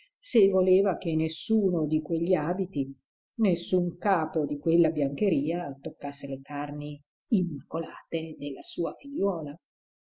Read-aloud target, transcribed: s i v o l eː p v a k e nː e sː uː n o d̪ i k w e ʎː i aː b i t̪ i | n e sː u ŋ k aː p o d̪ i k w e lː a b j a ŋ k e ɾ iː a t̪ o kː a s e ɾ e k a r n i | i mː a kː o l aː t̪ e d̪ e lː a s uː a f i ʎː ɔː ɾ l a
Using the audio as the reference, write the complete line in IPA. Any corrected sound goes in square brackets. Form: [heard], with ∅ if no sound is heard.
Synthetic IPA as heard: s [e] v o l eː [∅] v a k e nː e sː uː n o d̪ i k w e ʎː i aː b i t̪ i | n e sː u ŋ k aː p o d̪ i k w e lː a b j a ŋ k e ɾ iː a t̪ o kː a [sː] e [l] e k a r n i | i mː a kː o l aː t̪ e d̪ e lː a s uː a f i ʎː ɔː [∅] l a